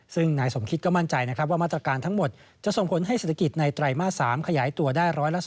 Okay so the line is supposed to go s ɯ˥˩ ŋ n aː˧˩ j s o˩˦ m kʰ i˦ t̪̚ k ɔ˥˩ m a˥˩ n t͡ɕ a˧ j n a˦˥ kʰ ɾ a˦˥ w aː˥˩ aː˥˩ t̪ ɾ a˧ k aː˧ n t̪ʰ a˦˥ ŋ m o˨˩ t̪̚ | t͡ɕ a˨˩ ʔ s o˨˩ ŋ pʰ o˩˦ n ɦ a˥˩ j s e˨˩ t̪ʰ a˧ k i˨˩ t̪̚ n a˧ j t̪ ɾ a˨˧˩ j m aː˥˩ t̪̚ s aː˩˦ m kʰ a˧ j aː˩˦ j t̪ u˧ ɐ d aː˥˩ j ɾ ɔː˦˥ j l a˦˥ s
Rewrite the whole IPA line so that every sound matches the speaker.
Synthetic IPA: s ɯ˥˩ ŋ n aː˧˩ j s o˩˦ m kʰ i˦ t̪̚ k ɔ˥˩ m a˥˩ n t͡ɕ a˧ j n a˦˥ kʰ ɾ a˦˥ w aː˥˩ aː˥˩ t̪ ɾ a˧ k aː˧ n t̪ʰ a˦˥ ŋ m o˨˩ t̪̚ | t͡ɕ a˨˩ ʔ s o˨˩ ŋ pʰ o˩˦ n ɦ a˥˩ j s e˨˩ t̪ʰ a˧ k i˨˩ t̪̚ n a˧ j t̪ ɾ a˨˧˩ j m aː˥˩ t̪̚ s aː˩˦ m kʰ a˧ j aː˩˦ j t̪ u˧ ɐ d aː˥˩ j ɾ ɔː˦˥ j l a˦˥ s